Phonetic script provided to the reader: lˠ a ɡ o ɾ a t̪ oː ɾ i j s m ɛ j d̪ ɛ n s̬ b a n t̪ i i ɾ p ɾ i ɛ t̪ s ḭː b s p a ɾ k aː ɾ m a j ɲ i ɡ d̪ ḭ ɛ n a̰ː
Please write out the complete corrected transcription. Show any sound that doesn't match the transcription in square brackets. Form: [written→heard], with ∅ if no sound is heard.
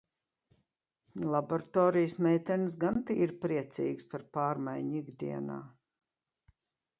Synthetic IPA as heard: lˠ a [ɡ→b] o ɾ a t̪ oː ɾ i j s m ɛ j [d̪→t̪] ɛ n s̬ [b→ɡ] a n t̪ i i ɾ p ɾ i ɛ t̪ s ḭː [b→ɡ] s p a ɾ [k→p] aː ɾ m a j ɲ i ɡ d̪ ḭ ɛ n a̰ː

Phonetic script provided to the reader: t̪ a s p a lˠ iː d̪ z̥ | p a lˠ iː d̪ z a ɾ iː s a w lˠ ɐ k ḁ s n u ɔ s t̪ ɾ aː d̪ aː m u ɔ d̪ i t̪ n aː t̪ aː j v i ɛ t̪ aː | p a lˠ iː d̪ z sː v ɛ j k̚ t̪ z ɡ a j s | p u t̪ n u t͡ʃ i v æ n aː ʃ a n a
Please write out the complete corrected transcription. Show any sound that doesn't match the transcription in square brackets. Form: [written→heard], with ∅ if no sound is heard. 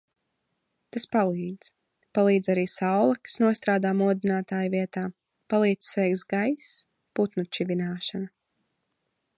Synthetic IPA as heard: t̪ a s p a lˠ iː d̪ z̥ | p a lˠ iː d̪ z a ɾ iː s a w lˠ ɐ k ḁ s n u ɔ s t̪ ɾ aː d̪ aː m u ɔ d̪ i [t̪→∅] n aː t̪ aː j v i ɛ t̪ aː | p a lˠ iː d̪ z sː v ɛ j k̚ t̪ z ɡ a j s | p u t̪ n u t͡ʃ i v [æ→i] n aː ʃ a n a

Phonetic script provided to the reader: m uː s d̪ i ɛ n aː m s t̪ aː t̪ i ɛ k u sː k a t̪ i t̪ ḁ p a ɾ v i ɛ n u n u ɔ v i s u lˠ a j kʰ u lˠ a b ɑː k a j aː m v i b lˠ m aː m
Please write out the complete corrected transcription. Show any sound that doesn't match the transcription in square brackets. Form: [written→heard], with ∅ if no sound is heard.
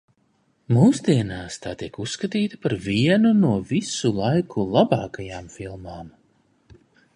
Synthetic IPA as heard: m uː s d̪ i ɛ n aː [m→∅] s t̪ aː t̪ i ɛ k u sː k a t̪ [i→iː] t̪ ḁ p a ɾ v i ɛ n u n u ɔ v i s u lˠ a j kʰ u lˠ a b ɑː k a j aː m [v→f] i [b→∅] lˠ m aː m

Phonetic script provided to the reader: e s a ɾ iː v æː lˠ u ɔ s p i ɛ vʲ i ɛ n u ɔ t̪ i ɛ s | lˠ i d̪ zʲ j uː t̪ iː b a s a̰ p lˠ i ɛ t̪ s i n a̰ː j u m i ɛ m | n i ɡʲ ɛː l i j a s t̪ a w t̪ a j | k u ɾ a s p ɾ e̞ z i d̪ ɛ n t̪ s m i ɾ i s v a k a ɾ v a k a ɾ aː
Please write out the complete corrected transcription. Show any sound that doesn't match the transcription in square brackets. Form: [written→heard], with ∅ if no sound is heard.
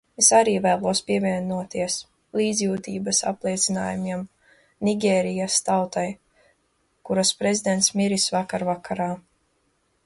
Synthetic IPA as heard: e s a ɾ iː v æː lˠ u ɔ s p i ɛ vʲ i ɛ n u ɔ t̪ i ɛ s | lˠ [i→iː] d̪ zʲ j uː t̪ iː b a s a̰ p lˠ i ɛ t̪ s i n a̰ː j u m i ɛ m | n i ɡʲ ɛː [l→ɾ] i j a s t̪ a w t̪ a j | k u ɾ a s p ɾ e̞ z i d̪ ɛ n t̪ s m i ɾ i s v a k a ɾ v a k a ɾ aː

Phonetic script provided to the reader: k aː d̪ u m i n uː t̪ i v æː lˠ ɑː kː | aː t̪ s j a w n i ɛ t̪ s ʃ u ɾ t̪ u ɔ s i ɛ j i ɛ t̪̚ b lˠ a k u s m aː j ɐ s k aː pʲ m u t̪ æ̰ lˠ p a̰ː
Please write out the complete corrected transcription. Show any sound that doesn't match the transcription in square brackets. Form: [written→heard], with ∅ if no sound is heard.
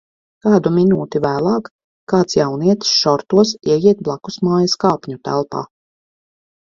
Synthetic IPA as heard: k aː d̪ u m i n uː t̪ i v æː lˠ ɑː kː | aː t̪ s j a w n i ɛ t̪ s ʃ [u→ɔ] ɾ t̪ u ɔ s i ɛ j i ɛ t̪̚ b lˠ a k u s m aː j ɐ s k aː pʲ [m→ɲ] u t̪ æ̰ lˠ p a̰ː

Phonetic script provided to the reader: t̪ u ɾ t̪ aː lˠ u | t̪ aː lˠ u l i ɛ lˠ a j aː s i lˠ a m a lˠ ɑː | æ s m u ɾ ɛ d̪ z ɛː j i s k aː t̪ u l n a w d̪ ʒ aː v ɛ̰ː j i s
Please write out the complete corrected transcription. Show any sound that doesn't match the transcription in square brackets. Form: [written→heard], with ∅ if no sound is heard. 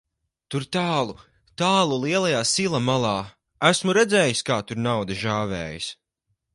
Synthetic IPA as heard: t̪ u ɾ t̪ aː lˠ u | t̪ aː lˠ u l i ɛ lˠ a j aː s i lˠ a m a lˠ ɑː | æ s m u ɾ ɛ d̪ z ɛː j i s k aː t̪ u [l→ɾ] n a w d̪ ʒ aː v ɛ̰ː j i s

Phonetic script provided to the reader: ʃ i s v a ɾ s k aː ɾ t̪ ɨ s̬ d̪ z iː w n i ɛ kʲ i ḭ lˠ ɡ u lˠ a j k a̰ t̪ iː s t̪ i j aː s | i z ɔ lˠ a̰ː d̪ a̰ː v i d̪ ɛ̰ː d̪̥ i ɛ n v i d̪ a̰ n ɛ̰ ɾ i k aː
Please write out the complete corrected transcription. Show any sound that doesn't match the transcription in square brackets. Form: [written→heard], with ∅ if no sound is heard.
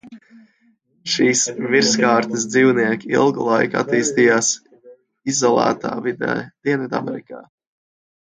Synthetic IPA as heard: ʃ [i→iː] s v [a→i] ɾ s k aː ɾ t̪ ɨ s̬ d̪ z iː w n i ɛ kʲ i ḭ lˠ ɡ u lˠ a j k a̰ t̪ iː s t̪ i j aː s | i z ɔ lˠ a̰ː [d̪→t̪] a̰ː v i d̪ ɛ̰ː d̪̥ i ɛ n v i d̪ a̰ [n→m] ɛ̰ ɾ i k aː

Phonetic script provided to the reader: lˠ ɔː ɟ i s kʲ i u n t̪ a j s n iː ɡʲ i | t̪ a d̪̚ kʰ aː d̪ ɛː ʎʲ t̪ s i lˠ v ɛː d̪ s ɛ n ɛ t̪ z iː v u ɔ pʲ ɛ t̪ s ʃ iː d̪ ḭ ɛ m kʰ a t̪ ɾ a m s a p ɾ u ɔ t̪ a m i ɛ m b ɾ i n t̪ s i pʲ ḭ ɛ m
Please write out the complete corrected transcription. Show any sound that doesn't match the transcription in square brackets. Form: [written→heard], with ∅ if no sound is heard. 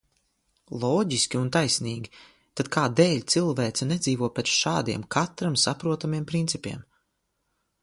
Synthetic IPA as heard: lˠ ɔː ɟ i s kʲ i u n t̪ a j s n iː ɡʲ i | t̪ a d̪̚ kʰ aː d̪ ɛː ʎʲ t̪ s i lˠ v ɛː [d̪→t̪] s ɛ n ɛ [t̪→d̪] z iː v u ɔ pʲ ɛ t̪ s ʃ [iː→aː] d̪ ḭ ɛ m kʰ a t̪ ɾ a m s a p ɾ u ɔ t̪ a m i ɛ m [b→p] ɾ i n t̪ s i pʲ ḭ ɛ m

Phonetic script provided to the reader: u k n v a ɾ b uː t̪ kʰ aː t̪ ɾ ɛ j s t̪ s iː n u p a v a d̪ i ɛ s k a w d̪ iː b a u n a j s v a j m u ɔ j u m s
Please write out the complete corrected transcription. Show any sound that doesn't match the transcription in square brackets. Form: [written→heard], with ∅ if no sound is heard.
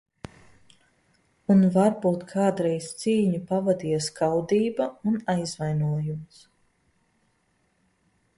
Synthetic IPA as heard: u [k→∅] n v a ɾ b uː t̪ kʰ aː [t̪→d̪] ɾ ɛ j s t̪ s iː [n→ɲ] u p a v a d̪ i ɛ s k a w d̪ iː b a u n a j [s→z] v a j [m→n] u ɔ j u m s

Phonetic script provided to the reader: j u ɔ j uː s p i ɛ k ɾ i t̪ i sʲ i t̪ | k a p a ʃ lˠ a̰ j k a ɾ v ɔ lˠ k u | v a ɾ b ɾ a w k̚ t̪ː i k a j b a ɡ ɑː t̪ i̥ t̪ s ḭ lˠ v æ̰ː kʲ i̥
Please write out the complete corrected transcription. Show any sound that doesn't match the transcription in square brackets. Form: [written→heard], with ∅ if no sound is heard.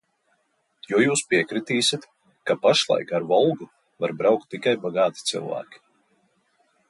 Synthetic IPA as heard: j u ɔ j uː s p i ɛ k ɾ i t̪ [i→iː] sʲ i t̪ | k a p a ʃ lˠ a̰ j k a ɾ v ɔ lˠ [k→ɡ] u | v a ɾ b ɾ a w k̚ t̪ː i k a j b a ɡ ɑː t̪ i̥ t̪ s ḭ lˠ v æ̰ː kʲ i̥

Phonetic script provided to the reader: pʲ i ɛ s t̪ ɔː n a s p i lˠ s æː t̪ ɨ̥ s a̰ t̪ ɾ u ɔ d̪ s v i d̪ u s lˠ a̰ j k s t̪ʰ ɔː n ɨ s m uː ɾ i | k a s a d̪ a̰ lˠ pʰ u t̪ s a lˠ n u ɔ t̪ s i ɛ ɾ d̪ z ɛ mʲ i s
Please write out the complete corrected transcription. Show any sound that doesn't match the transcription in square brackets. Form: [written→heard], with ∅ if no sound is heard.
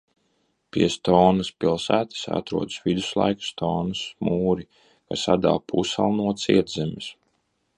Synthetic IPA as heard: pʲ i ɛ s t̪ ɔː n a s p i lˠ s æː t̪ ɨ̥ s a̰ t̪ ɾ u ɔ d̪ s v i d̪ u s lˠ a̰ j k s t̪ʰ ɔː n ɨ s m uː ɾ i | k a s a d̪ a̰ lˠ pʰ u [t̪→∅] s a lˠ n u ɔ t̪ s i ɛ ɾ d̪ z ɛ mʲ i s

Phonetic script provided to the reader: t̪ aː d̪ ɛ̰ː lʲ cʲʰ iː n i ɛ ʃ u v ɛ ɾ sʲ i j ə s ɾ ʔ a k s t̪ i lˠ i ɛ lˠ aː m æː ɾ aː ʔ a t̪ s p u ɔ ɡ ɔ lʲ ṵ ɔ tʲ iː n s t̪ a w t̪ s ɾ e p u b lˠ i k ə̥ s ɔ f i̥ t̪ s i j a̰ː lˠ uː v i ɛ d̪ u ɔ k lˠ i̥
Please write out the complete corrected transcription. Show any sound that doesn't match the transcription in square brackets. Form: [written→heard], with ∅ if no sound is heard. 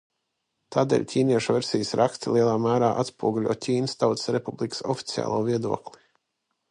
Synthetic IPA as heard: t̪ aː d̪ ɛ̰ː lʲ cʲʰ iː n i ɛ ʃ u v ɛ ɾ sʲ i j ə s ɾ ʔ a k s t̪ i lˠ i ɛ lˠ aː m æː ɾ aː ʔ a t̪ s p u ɔ ɡ [ɔ→u] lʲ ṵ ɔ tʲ iː n s t̪ a w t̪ s ɾ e p u b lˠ i k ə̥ s ɔ f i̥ t̪ s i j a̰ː lˠ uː v i ɛ d̪ u ɔ k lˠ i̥

